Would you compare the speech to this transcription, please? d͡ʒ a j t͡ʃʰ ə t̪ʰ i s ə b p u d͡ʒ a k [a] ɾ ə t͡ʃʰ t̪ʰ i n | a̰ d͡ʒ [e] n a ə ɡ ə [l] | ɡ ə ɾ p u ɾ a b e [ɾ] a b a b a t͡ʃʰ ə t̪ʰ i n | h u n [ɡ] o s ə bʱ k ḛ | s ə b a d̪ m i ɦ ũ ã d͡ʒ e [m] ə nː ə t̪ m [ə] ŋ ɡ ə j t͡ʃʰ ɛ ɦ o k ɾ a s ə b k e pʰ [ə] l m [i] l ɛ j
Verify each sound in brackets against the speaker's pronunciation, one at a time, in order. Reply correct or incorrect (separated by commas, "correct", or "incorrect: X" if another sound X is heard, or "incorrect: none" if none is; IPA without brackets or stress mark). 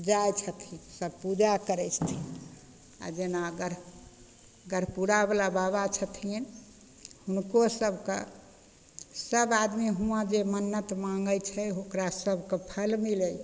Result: incorrect: ə, correct, incorrect: ɾ, incorrect: l, incorrect: k, correct, incorrect: a, correct, correct